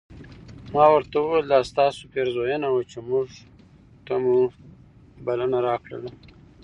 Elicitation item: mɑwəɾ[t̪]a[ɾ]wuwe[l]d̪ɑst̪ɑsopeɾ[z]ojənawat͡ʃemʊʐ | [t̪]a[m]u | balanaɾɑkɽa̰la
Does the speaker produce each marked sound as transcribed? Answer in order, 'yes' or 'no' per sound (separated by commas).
yes, no, yes, yes, yes, yes